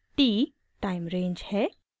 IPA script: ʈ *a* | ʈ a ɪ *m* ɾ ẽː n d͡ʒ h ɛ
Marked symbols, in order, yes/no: no, yes

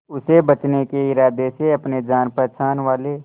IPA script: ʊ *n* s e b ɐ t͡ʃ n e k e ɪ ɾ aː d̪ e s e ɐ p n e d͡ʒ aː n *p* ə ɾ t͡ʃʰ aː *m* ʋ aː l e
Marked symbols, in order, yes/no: no, yes, no

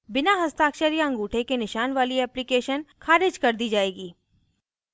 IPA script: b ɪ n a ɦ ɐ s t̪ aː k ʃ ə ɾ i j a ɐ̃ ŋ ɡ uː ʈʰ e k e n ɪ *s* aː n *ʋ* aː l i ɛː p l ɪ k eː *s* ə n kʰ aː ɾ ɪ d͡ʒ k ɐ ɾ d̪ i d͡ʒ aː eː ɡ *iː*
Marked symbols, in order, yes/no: no, yes, no, yes

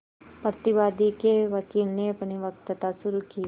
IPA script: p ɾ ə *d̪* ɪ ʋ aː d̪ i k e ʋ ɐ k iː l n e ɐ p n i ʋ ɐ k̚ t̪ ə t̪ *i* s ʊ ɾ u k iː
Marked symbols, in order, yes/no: no, no

